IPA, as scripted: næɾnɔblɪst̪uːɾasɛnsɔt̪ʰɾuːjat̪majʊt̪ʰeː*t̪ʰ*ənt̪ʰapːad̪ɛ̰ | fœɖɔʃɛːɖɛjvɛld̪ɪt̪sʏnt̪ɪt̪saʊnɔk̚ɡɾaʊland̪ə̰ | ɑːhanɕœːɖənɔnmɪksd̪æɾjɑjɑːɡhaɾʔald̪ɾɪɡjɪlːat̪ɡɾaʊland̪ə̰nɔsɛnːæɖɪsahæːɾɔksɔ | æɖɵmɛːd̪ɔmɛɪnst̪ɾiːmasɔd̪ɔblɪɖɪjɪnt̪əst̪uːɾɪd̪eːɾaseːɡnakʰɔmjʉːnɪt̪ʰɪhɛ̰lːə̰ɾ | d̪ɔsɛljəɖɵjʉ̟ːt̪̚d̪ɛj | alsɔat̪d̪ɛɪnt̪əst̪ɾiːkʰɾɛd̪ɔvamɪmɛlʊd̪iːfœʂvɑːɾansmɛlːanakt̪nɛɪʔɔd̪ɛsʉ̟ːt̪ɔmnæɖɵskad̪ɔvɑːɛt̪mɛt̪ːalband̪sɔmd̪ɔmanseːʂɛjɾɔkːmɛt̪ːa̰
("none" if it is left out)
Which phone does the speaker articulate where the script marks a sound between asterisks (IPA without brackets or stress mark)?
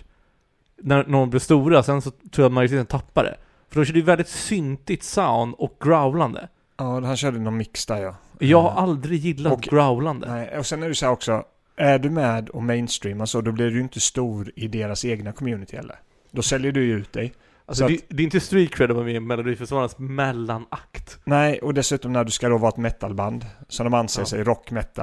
t̪